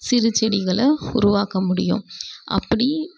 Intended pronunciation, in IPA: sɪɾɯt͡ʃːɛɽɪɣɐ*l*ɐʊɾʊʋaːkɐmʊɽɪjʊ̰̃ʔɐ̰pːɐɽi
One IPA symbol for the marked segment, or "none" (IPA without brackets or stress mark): ɭ